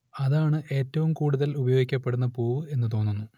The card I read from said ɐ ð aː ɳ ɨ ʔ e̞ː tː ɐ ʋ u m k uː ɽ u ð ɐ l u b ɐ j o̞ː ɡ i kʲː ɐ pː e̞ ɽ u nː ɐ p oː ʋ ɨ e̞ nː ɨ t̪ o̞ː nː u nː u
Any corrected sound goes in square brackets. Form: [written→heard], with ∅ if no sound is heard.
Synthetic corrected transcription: ɐ ð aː ɳ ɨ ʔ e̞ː tː ɐ ʋ u m k uː ɽ u ð ɐ l u b ɐ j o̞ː ɡ i kʲː ɐ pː e̞ ɽ u nː ɐ p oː ʋ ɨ e̞ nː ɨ t̪ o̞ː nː u nː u

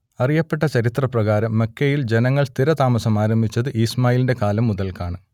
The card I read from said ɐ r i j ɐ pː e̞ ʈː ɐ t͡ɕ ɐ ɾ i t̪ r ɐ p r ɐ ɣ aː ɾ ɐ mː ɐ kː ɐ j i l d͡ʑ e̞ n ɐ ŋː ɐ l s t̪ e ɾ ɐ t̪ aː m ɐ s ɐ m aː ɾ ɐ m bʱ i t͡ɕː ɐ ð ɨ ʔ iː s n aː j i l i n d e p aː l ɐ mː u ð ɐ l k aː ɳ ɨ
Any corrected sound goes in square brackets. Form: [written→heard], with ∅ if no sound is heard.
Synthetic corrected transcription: ɐ r i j ɐ pː e̞ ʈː ɐ t͡ɕ ɐ ɾ i t̪ r ɐ p r ɐ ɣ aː ɾ ɐ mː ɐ kː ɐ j i l d͡ʑ e̞ n ɐ ŋː ɐ [l→ɭ] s t̪ [e→i] ɾ ɐ t̪ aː m ɐ s ɐ m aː ɾ ɐ m bʱ i t͡ɕː ɐ ð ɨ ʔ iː s [n→m] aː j i l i n d e [p→k] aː l ɐ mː u ð ɐ l k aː ɳ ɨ

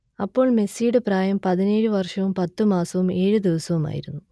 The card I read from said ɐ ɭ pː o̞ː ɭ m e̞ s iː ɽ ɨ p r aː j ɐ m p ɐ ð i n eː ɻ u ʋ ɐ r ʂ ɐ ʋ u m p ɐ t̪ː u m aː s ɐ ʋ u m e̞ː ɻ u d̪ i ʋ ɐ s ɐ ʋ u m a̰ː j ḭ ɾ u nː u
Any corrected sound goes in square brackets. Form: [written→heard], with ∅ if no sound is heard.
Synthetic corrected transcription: ɐ [ɭ→∅] pː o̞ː ɭ m e̞ s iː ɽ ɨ p r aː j ɐ m p ɐ ð i n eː ɻ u ʋ ɐ r ʂ ɐ ʋ u m p ɐ t̪ː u m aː s ɐ ʋ u m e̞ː ɻ u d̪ i ʋ ɐ s ɐ ʋ u m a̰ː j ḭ ɾ u nː u

